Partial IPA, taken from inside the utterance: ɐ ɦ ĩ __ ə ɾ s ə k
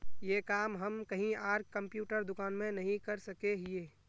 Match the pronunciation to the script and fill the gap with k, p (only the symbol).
k